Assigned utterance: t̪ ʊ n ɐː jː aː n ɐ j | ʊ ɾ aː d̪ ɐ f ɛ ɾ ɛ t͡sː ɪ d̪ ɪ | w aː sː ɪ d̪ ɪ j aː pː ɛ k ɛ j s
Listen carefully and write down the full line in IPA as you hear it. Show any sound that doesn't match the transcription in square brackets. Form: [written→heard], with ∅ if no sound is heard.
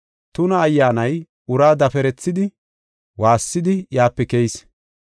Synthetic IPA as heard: t̪ ʊ n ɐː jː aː n ɐ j | ʊ ɾ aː d̪ ɐ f ɛ ɾ ɛ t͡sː ɪ d̪ ɪ | w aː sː ɪ d̪ ɪ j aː pː ɛ k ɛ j s